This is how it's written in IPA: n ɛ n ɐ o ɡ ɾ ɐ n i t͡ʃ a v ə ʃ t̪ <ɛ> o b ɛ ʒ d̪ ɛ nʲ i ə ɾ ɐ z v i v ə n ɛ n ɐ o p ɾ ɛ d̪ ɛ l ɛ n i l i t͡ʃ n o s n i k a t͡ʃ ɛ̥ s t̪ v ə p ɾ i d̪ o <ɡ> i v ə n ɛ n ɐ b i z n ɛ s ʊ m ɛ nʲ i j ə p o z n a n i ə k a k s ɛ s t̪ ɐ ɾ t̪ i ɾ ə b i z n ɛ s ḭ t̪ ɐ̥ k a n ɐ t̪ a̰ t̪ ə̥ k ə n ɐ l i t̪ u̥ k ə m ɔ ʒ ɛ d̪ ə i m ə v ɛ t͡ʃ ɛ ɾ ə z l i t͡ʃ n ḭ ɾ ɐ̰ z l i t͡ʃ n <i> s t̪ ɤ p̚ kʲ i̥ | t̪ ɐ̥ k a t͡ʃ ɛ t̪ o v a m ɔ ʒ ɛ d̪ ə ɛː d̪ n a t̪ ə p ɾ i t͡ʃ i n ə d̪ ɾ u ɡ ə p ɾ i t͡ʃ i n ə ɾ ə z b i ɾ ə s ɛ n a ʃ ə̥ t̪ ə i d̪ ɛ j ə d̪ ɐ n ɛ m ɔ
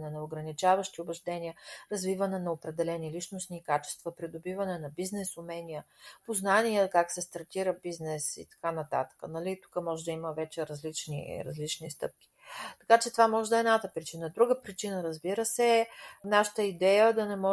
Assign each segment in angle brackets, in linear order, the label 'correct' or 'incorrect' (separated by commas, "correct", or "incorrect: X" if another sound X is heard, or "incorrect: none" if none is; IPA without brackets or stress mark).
incorrect: i, incorrect: b, correct